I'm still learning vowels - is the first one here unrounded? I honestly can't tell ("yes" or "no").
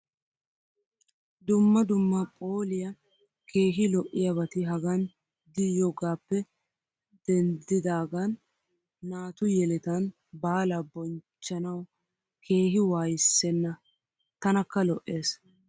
no